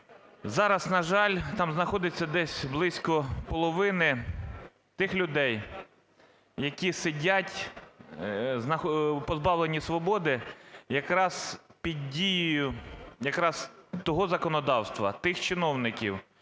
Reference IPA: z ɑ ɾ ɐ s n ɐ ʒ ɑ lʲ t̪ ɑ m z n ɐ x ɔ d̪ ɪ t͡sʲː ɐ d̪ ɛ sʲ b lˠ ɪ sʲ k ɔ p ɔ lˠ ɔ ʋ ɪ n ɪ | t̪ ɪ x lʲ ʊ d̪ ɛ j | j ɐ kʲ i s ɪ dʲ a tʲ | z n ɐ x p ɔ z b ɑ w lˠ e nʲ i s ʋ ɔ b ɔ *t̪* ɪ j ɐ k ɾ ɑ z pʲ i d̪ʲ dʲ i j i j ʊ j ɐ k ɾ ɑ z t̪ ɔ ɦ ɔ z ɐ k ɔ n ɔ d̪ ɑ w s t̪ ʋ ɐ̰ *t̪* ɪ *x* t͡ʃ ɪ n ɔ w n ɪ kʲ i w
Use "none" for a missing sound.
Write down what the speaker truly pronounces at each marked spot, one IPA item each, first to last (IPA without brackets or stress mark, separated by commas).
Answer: d̪, t̪, x